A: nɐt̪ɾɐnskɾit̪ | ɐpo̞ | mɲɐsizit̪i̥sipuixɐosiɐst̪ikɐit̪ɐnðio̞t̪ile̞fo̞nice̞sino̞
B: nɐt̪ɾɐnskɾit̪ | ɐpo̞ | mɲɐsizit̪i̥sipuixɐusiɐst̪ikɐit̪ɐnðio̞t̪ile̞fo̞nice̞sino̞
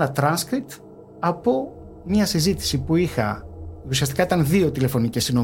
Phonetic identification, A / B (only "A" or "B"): B